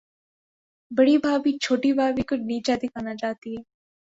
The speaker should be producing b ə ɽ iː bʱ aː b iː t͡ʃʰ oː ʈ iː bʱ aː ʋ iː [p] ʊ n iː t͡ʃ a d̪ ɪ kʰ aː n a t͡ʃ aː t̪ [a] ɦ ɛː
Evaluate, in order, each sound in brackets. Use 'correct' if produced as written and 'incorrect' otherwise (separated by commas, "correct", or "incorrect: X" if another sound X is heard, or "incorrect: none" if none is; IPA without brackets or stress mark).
incorrect: k, incorrect: i